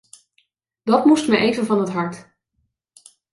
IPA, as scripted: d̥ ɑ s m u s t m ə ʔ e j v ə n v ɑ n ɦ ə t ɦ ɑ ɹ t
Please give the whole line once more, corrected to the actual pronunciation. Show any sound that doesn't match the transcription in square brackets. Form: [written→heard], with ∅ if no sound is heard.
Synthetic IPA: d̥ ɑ [s→t] m u s t m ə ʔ e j v ə n v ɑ n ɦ ə t ɦ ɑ ɹ t